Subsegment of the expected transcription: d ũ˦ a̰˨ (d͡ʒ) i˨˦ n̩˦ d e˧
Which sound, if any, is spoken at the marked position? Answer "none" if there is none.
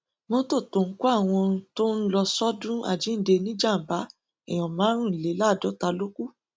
d͡ʒ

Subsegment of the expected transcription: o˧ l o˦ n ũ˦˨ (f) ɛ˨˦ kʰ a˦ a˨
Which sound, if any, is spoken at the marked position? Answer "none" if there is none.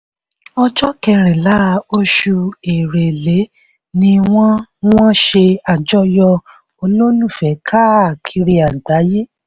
f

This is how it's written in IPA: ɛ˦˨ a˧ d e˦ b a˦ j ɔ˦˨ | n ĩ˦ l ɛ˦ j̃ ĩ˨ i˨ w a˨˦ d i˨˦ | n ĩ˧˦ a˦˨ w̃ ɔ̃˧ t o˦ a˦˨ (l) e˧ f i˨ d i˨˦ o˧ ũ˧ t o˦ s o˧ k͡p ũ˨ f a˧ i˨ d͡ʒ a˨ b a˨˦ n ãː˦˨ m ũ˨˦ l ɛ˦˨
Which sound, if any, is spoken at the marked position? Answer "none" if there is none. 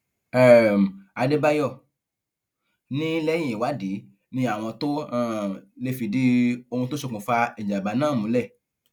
l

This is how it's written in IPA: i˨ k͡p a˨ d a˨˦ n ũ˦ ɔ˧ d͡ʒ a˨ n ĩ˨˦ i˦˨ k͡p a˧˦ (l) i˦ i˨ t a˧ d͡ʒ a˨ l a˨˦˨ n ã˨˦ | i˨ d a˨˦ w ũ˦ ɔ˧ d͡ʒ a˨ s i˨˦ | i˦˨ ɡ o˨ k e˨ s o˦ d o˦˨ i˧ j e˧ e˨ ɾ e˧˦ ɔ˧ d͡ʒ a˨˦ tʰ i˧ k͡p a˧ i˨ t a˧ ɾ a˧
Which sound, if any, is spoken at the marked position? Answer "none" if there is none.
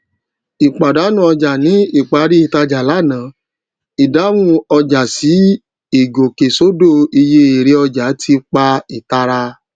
ɾ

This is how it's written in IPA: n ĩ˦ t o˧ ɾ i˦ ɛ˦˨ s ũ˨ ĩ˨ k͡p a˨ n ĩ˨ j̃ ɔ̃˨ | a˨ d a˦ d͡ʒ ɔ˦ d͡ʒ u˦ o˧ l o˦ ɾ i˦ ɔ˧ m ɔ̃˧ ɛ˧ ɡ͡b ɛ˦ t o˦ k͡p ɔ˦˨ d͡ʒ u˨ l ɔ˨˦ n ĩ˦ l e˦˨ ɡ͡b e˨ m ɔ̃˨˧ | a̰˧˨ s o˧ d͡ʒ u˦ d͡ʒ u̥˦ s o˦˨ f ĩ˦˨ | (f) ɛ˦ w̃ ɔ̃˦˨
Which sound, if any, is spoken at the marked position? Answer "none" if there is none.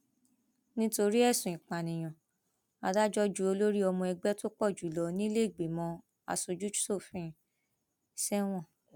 s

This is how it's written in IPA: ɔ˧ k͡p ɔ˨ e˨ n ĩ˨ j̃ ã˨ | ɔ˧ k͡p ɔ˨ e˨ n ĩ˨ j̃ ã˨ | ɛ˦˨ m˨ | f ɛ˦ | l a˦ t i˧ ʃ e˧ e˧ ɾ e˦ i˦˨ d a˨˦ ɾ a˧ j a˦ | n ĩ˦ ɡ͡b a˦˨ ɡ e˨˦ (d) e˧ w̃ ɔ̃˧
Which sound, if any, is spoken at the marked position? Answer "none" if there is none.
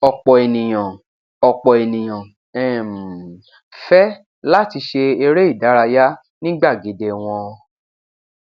d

